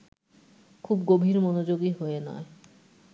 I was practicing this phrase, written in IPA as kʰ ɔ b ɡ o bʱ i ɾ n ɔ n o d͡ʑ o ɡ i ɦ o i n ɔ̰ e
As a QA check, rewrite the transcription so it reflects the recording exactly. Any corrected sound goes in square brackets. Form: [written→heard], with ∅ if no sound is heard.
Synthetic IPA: kʰ [ɔ→u] b ɡ o bʱ i ɾ [n→m] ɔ n o d͡ʑ o ɡ i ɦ o [i→e] n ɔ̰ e